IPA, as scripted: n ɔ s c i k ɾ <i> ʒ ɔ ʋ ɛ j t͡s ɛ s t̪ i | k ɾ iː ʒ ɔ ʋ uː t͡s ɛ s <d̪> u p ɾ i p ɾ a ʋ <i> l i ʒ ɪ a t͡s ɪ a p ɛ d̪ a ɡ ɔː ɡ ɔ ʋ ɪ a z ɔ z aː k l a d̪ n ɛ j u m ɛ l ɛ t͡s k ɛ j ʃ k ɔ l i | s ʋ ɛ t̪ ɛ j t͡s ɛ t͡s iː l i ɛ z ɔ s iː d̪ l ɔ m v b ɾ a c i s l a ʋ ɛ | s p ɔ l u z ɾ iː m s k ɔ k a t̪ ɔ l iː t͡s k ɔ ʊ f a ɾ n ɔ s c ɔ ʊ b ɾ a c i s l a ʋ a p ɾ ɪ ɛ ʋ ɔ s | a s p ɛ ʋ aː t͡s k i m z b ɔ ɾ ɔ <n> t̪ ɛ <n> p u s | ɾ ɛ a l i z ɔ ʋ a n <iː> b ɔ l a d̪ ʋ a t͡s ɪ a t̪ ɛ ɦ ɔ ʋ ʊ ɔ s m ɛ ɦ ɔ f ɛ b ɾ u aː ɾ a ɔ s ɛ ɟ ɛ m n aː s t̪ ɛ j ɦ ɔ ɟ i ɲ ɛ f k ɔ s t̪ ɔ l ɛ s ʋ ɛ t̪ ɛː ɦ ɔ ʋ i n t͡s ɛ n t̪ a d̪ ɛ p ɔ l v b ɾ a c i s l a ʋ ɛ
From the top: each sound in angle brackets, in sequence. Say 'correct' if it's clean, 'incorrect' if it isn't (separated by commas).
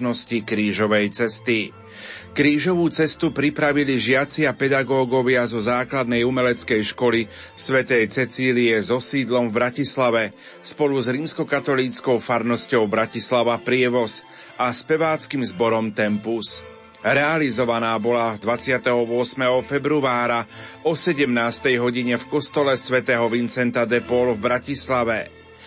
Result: incorrect, incorrect, correct, incorrect, incorrect, incorrect